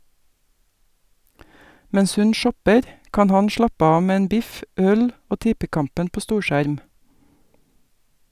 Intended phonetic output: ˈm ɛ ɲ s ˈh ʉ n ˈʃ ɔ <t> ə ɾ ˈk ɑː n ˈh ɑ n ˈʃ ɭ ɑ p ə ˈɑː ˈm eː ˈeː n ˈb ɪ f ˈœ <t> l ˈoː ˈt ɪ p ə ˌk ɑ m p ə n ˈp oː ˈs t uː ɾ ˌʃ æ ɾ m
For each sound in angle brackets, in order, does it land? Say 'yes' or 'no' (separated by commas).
no, no